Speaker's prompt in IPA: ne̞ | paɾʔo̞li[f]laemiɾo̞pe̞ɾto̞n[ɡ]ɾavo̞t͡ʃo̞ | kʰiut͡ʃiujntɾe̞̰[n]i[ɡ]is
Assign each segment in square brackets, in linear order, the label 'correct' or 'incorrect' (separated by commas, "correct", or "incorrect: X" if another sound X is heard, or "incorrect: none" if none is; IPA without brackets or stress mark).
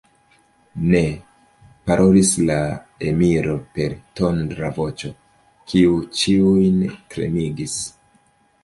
incorrect: s, incorrect: d, incorrect: m, correct